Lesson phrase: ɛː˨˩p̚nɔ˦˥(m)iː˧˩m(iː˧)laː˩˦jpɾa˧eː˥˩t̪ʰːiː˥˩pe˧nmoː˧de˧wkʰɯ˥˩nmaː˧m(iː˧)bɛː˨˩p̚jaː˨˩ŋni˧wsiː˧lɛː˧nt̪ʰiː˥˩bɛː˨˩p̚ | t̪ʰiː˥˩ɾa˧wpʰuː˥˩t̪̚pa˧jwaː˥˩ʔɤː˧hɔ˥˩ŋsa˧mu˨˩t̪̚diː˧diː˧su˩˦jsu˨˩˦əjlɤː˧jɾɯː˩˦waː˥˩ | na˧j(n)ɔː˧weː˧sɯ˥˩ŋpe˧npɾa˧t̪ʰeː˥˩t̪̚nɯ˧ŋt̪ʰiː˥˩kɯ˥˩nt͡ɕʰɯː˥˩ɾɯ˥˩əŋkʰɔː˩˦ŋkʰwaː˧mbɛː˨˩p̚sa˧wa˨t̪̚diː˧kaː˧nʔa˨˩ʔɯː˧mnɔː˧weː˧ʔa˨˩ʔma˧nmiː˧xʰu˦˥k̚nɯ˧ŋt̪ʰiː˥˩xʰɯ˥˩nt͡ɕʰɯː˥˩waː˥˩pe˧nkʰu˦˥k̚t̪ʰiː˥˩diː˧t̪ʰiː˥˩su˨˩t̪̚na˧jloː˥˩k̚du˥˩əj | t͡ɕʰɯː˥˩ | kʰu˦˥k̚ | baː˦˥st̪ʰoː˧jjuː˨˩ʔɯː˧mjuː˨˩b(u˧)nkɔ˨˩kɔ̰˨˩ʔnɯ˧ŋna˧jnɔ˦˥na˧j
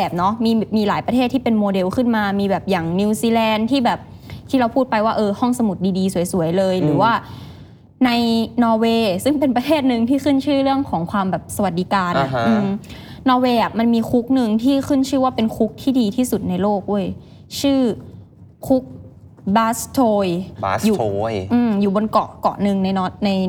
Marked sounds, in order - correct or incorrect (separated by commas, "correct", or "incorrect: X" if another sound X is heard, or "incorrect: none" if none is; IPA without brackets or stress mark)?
correct, correct, correct, correct, incorrect: o˧